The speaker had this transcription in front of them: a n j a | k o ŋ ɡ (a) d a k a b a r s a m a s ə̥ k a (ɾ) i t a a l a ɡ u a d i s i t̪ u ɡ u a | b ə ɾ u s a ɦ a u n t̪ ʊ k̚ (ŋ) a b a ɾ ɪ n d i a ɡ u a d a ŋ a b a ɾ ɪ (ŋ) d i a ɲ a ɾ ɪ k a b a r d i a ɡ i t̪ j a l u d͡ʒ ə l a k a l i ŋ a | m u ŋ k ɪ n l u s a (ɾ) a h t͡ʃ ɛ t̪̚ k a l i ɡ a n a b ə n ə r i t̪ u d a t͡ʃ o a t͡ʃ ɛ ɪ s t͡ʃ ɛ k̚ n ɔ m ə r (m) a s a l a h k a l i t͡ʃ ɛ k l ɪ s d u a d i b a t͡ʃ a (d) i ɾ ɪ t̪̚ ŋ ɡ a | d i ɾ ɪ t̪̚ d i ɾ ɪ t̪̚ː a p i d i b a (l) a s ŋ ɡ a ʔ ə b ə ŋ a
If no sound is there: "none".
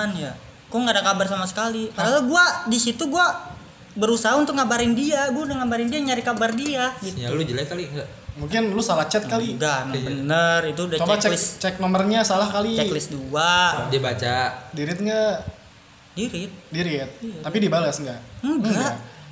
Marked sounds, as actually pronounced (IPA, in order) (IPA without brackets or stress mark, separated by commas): a, l, ŋ, n, l, ɲ, d, l